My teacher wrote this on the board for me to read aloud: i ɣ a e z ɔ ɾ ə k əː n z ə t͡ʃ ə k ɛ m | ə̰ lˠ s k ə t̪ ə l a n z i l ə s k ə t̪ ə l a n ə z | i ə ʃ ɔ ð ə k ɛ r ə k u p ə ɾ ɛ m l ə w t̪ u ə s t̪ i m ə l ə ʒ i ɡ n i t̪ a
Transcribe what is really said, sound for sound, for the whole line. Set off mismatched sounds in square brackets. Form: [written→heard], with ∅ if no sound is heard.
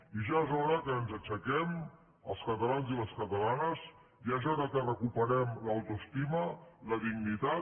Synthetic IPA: i [ɣ→ʒ] a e z ɔ ɾ ə k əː n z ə t͡ʃ ə k ɛ m | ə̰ lˠ s k ə t̪ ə l a n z i l ə s k ə t̪ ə l a n ə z | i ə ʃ ɔ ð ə k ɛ r ə k u p ə ɾ ɛ m l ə w t̪ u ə s t̪ i m ə l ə [ʒ→ð] i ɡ n i t̪ a

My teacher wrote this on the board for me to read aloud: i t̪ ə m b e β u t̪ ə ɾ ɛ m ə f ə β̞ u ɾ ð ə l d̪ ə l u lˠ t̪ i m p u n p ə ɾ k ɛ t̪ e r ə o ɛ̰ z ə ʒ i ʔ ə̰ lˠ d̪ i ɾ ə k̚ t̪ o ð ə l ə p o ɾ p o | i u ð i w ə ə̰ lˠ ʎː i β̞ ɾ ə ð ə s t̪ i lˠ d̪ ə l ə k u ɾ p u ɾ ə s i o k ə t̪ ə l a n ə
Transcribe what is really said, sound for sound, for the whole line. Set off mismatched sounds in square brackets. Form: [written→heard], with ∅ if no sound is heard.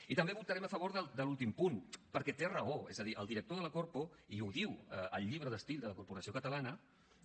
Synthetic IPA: i t̪ ə m b e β u t̪ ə ɾ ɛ m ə f ə β̞ [u→o] ɾ ð ə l d̪ ə l u lˠ t̪ i m p u n p ə ɾ k ɛ t̪ e r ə o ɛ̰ z ə [ʒ→ð] i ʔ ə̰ lˠ d̪ i ɾ ə k̚ t̪ o ð ə l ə [p→k] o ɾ p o | i u ð i w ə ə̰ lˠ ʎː i β̞ ɾ ə ð ə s t̪ i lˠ d̪ ə l ə k u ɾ p u ɾ ə s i o k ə t̪ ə l a n ə

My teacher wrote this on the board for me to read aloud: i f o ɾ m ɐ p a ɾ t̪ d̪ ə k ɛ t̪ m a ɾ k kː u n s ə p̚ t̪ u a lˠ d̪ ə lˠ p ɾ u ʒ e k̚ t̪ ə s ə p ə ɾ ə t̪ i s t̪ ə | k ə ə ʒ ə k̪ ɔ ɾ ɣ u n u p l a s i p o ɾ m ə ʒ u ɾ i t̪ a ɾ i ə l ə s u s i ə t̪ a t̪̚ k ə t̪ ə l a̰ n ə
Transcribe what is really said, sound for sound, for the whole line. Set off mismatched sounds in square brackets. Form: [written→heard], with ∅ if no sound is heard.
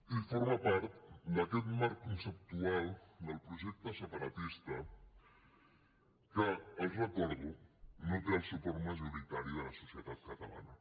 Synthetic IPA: i f o ɾ m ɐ p a ɾ t̪ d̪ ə k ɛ t̪ m a ɾ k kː u n s ə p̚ t̪ u a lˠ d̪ ə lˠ p ɾ u ʒ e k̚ t̪ ə s ə p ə ɾ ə t̪ i s t̪ ə | k ə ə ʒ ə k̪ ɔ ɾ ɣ u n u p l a s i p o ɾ m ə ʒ u ɾ i t̪ a ɾ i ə l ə s u s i ə t̪ a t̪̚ k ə t̪ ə l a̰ n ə

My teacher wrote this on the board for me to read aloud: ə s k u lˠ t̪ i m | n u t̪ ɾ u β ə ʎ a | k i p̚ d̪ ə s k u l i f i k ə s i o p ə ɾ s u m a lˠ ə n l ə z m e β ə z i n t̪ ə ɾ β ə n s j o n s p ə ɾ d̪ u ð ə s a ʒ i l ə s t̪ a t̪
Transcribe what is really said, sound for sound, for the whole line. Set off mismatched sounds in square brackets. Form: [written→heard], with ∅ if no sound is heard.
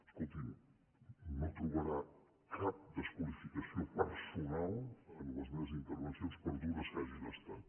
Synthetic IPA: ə s k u lˠ t̪ i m | n [u→o] t̪ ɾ u β ə [ʎ→ɾ] a | k [i→a] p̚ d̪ ə s k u l i f i k ə s i o p ə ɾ s u [m→n] a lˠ ə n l ə z m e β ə z i n t̪ ə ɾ β ə n s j o n s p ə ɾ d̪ u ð ə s a ʒ i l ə s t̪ a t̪

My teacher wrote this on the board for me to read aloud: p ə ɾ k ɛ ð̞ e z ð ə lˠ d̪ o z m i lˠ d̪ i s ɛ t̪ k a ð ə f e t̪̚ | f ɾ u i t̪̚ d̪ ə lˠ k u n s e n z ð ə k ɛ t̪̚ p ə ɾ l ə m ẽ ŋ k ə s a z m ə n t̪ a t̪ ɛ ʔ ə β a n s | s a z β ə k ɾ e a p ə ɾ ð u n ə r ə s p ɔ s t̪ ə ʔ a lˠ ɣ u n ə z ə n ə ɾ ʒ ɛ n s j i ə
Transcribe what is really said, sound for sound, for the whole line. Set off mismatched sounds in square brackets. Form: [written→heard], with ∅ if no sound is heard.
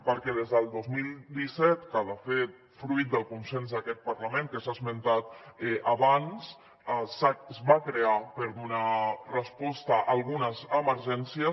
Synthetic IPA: p ə ɾ k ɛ ð̞ e z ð ə lˠ d̪ o z m i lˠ d̪ i s ɛ t̪ k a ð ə f e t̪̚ | f ɾ u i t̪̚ d̪ ə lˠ k u n s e n z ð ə k ɛ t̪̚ p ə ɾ l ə m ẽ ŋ k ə s a z m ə n t̪ a t̪ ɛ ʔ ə β a n s | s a z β [ə→a] k ɾ e a p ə ɾ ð u n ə r ə s p ɔ s t̪ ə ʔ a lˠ ɣ u n ə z ə [n→m] ə ɾ ʒ ɛ n s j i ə

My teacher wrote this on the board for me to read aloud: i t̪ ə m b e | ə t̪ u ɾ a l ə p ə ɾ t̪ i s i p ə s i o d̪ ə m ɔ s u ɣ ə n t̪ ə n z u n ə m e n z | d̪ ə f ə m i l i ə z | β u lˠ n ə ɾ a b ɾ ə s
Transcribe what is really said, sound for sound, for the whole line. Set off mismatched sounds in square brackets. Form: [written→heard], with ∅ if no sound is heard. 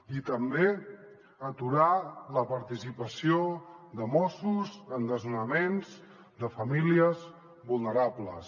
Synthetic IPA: i t̪ ə m b e | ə t̪ u ɾ a l ə p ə ɾ t̪ i s i p ə s i o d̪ ə m ɔ s u [ɣ→z] ə n [t̪→d̪] ə [n→∅] z u n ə m e n z | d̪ ə f ə m i l i ə z | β u lˠ n ə ɾ a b [ɾ→l] ə s

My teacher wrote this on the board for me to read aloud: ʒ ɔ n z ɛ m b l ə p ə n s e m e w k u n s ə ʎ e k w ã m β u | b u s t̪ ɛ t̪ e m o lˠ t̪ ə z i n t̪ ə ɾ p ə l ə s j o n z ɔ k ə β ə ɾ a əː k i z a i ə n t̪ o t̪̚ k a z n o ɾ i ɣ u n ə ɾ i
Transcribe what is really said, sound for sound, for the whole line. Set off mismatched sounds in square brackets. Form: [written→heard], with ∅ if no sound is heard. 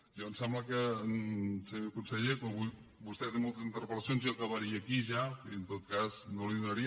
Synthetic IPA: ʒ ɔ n [z→s] ɛ m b l ə [p→k] ə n s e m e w k u n s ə ʎ e k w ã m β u | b u s t̪ ɛ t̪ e m o lˠ t̪ ə z i n t̪ ə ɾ p ə l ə s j o n z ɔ k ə β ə ɾ [a→i] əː k i [z→ʒ] a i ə n t̪ o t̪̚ k a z n o [ɾ→l] i [ɣ→ð] u n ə ɾ i

